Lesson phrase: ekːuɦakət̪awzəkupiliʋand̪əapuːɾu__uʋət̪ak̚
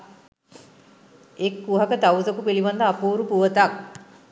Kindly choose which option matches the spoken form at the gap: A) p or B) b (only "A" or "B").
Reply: A